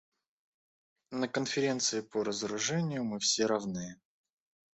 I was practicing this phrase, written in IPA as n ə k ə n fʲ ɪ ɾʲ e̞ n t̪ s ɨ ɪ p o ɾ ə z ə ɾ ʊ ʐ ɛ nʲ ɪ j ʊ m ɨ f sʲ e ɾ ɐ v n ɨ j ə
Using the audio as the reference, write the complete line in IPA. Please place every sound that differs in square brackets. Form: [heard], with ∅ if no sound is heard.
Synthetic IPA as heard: n ə k ə n fʲ ɪ ɾʲ e̞ n t̪ s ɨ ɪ p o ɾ ə z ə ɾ ʊ ʐ ɛ nʲ ɪ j ʊ m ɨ f sʲ e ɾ ɐ v n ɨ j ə